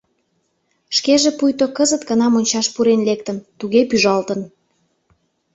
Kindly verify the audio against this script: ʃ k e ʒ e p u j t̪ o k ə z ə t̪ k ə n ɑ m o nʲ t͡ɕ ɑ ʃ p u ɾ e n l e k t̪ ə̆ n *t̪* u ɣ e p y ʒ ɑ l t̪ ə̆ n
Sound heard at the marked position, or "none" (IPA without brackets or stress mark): t̪